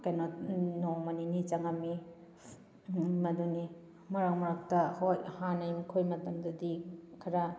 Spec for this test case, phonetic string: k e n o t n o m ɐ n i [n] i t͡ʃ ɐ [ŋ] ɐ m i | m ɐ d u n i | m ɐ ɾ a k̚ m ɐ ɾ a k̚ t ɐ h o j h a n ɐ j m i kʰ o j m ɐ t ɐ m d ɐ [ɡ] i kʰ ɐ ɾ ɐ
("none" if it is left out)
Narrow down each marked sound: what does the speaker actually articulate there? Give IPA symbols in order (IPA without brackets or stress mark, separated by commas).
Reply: n, ŋ, d